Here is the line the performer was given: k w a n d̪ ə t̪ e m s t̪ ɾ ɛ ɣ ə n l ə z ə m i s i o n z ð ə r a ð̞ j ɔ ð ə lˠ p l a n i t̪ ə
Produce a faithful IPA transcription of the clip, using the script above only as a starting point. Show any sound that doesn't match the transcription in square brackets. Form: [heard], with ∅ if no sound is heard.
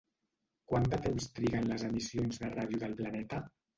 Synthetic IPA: k w a n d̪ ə t̪ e m s t̪ ɾ [i] ɣ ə n l ə z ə m i s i o n z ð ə r a ð̞ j [u] ð ə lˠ p l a n [ɛ] t̪ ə

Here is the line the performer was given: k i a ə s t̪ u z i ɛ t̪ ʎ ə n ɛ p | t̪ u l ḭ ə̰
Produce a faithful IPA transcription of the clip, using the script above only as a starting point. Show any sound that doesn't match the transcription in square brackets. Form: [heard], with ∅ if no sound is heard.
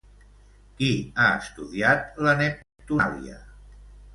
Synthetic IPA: k i a ə s t̪ u [ð] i [a] t̪ [l] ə n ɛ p | t̪ u l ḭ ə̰

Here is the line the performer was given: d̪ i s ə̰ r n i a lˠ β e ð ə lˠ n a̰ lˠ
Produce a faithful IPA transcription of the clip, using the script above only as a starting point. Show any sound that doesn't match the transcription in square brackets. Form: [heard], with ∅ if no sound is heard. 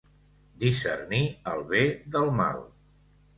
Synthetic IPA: d̪ i s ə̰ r n i [ə] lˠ β e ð ə lˠ [m] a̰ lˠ

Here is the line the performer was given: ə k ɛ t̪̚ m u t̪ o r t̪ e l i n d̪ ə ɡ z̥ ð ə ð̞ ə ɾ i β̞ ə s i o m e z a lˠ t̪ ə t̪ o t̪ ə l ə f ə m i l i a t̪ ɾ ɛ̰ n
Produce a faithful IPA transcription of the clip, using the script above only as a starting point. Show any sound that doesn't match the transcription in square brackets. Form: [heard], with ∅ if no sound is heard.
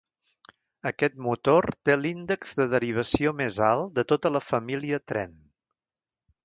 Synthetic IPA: ə k ɛ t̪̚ m u t̪ o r t̪ e l i n d̪ ə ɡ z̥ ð ə ð̞ ə ɾ i β̞ ə s i o m e z a lˠ [d̪] ə t̪ o t̪ ə l ə f ə m i l i [ə] t̪ ɾ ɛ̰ n

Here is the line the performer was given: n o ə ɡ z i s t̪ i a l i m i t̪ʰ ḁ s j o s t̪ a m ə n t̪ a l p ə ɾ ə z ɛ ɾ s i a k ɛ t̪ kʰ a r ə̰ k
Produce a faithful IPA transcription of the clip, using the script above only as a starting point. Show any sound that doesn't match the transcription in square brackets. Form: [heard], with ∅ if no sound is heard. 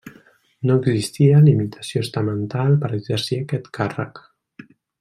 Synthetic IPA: n o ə ɡ z i s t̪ i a l i m i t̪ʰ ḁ s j o s t̪ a m ə n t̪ a l p ə ɾ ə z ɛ ɾ s i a k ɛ t̪ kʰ a r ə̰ k

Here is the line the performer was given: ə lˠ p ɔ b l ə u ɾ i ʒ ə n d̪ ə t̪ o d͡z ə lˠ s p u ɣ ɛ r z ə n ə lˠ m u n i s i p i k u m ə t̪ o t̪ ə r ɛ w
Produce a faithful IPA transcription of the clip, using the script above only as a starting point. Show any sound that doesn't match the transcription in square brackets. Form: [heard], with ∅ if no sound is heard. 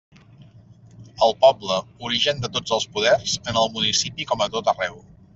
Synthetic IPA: ə lˠ p ɔ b l ə u ɾ i ʒ ə n d̪ ə t̪ o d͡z ə lˠ s p u [ð] ɛ r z ə n ə lˠ m u n i s i p i k [ɔ] m ə t̪ o t̪ ə r ɛ w

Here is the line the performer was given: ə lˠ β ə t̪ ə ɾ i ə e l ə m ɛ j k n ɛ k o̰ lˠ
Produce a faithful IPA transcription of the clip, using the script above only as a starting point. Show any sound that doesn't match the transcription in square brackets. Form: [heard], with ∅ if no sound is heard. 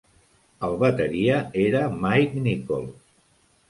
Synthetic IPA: ə lˠ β ə t̪ ə ɾ i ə e [ɾ] ə m [a] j k n [i] k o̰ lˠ

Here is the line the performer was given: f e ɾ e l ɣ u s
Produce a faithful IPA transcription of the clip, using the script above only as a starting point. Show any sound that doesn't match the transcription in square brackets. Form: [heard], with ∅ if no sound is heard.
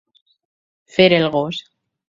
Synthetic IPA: f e ɾ e l ɣ [o] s

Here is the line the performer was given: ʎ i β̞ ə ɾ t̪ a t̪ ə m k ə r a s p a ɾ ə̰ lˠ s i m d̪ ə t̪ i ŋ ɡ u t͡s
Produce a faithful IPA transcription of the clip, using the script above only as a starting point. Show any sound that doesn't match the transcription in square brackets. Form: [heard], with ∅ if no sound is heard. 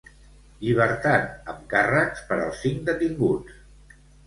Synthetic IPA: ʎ i β̞ ə ɾ t̪ a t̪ ə m k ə r a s p [ə] ɾ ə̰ lˠ s i [ŋ] d̪ ə t̪ i ŋ ɡ u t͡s

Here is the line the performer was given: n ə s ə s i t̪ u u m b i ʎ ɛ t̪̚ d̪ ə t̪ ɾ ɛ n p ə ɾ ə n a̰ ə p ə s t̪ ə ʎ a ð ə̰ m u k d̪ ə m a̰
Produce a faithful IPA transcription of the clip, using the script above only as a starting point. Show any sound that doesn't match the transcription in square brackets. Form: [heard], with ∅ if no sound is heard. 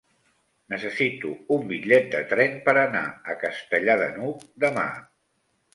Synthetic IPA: n ə s ə s i t̪ u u m b i ʎ ɛ t̪̚ d̪ ə t̪ ɾ ɛ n p ə ɾ ə n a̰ ə [k] ə s t̪ ə ʎ a ð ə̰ [n] u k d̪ ə m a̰

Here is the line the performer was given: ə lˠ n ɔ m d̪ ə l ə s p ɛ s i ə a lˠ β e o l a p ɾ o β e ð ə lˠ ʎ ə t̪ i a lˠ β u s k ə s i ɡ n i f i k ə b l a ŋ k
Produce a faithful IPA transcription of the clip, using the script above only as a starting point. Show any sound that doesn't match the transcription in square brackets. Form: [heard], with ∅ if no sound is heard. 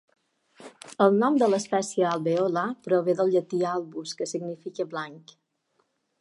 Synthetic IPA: ə lˠ n ɔ m d̪ ə l ə s p ɛ s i ə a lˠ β e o l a p ɾ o β e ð ə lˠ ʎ ə t̪ i a lˠ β u s k ə s i ɡ n i f i k ə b l a ŋ k

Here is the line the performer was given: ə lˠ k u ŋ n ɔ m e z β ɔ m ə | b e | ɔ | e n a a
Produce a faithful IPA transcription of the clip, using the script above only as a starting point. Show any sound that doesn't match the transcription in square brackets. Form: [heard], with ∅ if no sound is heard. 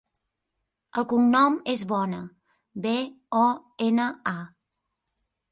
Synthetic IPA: ə lˠ k u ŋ n ɔ m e z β ɔ [n] ə | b e | ɔ | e n [ə] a

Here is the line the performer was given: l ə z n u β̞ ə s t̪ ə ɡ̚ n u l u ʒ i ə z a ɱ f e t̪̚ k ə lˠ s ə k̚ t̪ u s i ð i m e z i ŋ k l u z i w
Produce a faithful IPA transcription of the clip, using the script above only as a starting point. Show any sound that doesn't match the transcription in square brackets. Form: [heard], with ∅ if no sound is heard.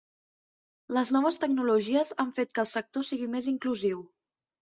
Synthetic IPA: l ə z n [ɔ] β̞ ə s t̪ ə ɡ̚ n u l u ʒ i ə z a ɱ f e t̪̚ k ə lˠ s ə k̚ t̪ [o] s i [ɣ] i m e z i ŋ k l u z i w

